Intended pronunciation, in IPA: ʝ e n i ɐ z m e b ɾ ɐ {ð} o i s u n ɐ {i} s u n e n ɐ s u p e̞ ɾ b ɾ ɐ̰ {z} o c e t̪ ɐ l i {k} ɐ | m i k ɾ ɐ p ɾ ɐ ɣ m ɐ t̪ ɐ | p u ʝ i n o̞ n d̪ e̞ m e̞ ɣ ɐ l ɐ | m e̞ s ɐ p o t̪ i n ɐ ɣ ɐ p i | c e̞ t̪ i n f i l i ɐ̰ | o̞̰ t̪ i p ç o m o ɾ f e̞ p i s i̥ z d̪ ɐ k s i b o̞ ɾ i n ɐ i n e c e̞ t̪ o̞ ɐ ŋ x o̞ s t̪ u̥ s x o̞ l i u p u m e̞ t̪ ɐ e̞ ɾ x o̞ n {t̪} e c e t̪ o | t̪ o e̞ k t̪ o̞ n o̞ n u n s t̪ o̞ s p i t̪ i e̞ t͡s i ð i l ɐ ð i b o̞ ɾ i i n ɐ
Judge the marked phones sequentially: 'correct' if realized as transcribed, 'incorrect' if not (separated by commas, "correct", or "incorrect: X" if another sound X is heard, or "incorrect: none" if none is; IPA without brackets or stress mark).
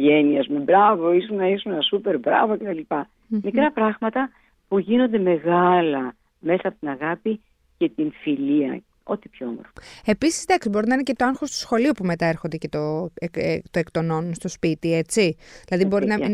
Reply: incorrect: v, correct, incorrect: v, incorrect: p, incorrect: d̪